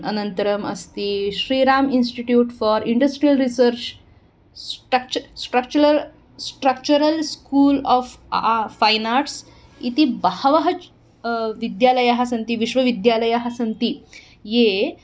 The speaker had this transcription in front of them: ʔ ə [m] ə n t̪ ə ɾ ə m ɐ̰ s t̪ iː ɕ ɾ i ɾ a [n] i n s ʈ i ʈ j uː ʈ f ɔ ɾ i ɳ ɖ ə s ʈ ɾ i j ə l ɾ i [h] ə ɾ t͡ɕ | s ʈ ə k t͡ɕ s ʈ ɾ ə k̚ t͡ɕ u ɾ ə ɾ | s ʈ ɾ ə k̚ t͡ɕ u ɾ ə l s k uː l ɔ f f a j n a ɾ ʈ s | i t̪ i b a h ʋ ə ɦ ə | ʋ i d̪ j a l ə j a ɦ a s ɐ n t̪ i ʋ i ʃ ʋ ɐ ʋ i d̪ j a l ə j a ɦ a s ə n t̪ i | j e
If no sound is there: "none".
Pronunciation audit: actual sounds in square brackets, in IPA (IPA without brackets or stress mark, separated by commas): n, m, s